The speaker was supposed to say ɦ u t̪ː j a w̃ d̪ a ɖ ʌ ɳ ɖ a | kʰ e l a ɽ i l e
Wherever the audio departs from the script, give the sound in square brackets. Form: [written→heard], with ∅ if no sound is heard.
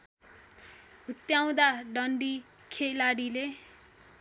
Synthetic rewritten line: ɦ u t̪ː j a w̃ d̪ a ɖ ʌ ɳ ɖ [a→i] | kʰ e l a ɽ i l e